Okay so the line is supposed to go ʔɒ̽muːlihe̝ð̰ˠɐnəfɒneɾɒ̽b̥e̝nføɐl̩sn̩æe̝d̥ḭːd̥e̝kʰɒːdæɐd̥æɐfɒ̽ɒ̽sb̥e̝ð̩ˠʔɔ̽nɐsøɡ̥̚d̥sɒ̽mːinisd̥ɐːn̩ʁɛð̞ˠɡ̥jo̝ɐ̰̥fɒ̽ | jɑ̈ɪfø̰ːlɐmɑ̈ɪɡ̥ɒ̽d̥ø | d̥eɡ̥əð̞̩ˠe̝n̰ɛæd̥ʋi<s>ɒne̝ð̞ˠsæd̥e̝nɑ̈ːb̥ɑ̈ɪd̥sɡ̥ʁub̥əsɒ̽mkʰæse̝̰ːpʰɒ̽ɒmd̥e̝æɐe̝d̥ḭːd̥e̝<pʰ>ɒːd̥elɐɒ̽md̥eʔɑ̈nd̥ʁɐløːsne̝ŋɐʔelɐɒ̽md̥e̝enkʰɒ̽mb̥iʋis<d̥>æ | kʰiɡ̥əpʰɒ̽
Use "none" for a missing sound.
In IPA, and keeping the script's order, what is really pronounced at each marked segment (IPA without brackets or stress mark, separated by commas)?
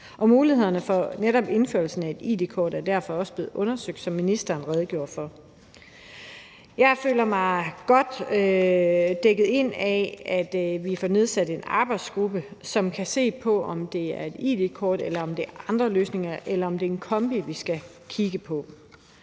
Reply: f, kʰ, ɡ̥